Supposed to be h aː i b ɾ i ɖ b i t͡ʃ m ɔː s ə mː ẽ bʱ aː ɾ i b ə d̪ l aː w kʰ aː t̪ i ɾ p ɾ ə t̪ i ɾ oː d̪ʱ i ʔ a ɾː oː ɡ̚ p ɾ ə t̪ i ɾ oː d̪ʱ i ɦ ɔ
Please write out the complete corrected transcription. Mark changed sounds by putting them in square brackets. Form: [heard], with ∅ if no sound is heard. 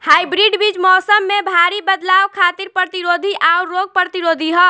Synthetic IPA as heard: h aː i b ɾ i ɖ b i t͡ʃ m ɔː s ə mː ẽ bʱ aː ɾ i b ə d̪ l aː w kʰ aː t̪ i ɾ p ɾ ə t̪ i ɾ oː d̪ʱ i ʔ a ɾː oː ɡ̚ p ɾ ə t̪ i ɾ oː d̪ʱ i ɦ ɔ